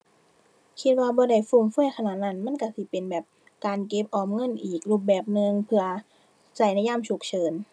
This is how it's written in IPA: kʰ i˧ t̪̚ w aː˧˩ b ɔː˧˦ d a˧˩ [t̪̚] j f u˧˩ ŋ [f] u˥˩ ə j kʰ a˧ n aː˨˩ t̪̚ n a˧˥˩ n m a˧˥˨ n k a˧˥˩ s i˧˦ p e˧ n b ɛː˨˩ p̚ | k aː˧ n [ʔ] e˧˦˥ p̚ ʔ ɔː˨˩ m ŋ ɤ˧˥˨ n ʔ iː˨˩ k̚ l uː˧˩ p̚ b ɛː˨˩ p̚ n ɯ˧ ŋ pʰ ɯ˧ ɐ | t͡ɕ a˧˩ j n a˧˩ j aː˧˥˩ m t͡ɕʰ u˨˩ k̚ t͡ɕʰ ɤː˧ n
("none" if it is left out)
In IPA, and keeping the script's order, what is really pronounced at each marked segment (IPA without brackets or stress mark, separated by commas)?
none, f, k